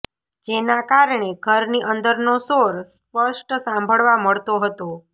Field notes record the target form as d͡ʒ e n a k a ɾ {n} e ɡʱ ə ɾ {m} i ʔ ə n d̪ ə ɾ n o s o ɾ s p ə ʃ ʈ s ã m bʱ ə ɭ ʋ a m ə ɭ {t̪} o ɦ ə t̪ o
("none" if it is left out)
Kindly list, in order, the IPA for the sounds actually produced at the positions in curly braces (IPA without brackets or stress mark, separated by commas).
ɳ, n, t̪